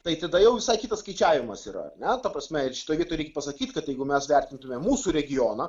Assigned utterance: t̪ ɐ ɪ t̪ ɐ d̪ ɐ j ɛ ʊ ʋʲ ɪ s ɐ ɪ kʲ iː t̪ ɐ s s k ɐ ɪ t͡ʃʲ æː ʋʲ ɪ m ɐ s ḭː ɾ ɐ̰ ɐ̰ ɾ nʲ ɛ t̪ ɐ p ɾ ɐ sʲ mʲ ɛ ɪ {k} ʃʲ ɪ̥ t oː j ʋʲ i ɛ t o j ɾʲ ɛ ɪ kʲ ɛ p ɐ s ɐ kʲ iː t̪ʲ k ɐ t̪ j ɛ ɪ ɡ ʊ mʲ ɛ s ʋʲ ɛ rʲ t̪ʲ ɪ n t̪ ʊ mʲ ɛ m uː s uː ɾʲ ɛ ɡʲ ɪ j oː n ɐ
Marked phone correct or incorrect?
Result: incorrect